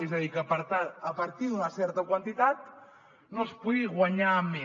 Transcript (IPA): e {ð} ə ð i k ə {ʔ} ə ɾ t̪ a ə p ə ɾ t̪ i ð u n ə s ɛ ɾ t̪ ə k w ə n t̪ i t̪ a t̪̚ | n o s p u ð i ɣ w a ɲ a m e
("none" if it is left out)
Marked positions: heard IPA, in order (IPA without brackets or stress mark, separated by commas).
z, p